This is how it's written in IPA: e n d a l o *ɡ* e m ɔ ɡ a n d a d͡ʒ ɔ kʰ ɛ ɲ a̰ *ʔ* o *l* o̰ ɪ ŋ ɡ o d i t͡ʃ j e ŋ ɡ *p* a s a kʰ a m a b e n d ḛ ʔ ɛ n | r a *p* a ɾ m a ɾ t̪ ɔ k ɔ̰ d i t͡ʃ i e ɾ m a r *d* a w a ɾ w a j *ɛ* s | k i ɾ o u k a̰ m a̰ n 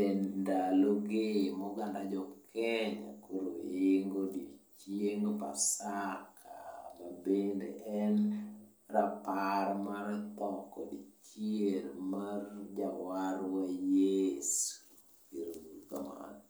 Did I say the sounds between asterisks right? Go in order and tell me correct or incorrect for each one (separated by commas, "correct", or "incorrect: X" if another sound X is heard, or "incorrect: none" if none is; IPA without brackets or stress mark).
correct, incorrect: k, incorrect: ɾ, correct, correct, incorrect: d͡ʒ, incorrect: e